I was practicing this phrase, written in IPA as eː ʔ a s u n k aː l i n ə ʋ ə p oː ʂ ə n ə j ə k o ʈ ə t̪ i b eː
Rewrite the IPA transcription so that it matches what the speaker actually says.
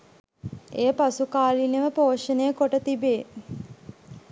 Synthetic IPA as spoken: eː p a s u k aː l i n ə ʋ ə p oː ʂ ə n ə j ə k o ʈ ə t̪ i b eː